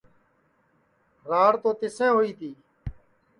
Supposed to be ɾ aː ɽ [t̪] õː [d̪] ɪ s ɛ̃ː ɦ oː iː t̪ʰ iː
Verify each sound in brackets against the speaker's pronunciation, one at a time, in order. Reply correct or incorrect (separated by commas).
correct, incorrect